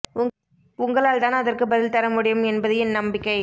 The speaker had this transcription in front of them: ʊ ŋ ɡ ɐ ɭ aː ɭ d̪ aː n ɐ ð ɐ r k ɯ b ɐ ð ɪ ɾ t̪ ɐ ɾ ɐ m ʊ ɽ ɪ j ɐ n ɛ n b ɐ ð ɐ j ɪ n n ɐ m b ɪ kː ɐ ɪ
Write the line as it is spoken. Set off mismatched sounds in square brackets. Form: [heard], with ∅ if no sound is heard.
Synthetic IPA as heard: ʊ ŋ ɡ ɐ ɭ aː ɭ [t̪] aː n ɐ ð ɐ r k ɯ b ɐ ð ɪ [l] t̪ ɐ ɾ ɐ m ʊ ɽ ɪ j ɐ [m] ɛ n b ɐ ð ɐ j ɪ n n ɐ m b ɪ kː ɐ ɪ

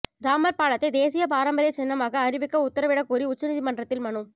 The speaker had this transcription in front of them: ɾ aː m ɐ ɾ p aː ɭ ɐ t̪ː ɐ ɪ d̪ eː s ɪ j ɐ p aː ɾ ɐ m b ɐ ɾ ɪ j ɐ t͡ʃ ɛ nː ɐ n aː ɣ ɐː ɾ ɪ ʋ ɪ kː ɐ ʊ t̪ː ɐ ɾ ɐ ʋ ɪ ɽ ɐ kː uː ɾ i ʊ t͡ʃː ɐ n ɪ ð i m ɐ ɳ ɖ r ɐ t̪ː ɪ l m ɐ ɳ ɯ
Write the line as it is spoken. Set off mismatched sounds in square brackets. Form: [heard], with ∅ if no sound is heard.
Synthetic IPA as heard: ɾ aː m ɐ ɾ p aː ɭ ɐ t̪ː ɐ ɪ d̪ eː s ɪ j ɐ p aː ɾ ɐ m b ɐ ɾ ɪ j ɐ t͡ʃ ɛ nː ɐ [m] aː ɣ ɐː ɾ ɪ ʋ ɪ kː ɐ ʊ t̪ː ɐ ɾ ɐ ʋ ɪ ɽ ɐ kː uː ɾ i ʊ t͡ʃː ɐ n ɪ ð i m ɐ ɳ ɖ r ɐ t̪ː ɪ l m ɐ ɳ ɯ

